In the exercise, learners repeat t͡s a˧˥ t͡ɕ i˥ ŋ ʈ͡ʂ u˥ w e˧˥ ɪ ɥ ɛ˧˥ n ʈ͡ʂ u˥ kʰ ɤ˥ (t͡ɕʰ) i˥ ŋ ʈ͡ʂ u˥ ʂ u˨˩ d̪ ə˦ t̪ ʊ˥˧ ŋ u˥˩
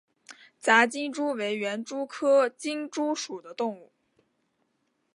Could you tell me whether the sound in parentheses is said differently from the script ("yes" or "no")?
yes